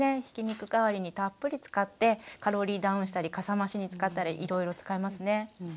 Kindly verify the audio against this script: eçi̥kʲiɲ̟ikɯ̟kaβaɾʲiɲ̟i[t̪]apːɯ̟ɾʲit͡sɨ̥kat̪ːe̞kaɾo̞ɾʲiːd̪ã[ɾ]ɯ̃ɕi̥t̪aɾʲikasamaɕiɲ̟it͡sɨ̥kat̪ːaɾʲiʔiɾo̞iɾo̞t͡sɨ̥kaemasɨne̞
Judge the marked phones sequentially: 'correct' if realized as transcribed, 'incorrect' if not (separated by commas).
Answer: correct, incorrect